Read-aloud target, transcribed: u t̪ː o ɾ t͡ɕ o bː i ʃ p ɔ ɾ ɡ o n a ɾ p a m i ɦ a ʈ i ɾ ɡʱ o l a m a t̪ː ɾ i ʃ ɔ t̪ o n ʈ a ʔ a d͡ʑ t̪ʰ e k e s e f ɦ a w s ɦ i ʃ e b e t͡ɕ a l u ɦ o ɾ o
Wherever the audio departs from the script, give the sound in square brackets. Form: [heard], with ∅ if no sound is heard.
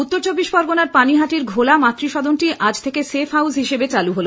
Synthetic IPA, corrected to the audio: u t̪ː o ɾ t͡ɕ o bː i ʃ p ɔ ɾ ɡ o n a ɾ p a [n] i ɦ a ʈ i ɾ ɡʱ o l a m a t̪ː ɾ i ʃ ɔ [d̪] o n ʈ [i] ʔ a d͡ʑ t̪ʰ e k e s e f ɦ a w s ɦ i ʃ e b e t͡ɕ a l u ɦ o [l] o